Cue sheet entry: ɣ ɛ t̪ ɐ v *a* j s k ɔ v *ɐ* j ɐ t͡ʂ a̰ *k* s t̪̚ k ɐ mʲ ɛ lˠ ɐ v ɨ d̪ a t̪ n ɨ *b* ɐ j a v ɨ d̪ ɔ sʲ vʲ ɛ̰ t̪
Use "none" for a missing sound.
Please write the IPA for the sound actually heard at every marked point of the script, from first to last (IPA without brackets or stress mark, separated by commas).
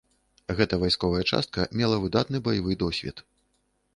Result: a, ɐ, none, b